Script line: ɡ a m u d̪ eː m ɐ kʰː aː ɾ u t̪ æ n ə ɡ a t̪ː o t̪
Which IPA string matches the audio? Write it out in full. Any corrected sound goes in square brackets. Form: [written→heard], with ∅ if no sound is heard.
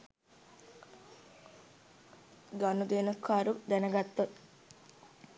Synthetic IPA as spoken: ɡ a [m→n] u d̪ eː [m→n] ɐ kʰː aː ɾ u [t̪→d̪] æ n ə ɡ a t̪ː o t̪